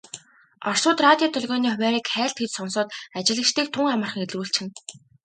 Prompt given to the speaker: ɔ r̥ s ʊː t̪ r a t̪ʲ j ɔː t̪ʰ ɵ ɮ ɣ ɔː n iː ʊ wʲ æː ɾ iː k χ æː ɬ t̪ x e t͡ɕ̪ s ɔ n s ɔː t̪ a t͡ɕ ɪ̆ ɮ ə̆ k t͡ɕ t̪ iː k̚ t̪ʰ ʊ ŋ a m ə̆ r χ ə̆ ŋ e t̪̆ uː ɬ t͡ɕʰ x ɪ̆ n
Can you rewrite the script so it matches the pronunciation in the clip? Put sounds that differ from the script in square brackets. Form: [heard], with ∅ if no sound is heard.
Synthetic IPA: ɔ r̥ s ʊː t̪ r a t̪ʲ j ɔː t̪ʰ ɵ ɮ ɣ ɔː n iː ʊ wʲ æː ɾ iː k χ æː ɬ t̪ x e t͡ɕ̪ s ɔ n s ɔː t̪ a t͡ɕ ɪ̆ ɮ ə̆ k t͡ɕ t̪ iː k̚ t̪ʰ ʊ ŋ a m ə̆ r χ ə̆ ŋ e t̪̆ uː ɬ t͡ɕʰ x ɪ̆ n